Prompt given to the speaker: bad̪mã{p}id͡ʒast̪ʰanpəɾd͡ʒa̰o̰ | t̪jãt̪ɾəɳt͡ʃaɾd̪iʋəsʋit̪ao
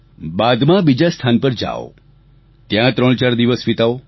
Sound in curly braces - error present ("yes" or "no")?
yes